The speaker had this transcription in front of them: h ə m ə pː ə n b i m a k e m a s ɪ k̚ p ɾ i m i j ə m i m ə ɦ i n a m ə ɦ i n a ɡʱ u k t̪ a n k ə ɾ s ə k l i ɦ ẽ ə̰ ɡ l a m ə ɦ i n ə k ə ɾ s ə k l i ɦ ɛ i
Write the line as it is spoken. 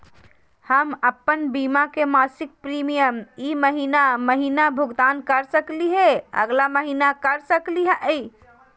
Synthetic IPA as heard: h ə m ə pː ə n b i m a k e m a s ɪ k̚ p ɾ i m i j ə m i m ə ɦ i n a m ə ɦ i n a bʱ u ɡ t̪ a n k ə ɾ s ə k l i ɦ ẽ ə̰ ɡ l a m ə ɦ i n a k ə ɾ s ə k l i ɦ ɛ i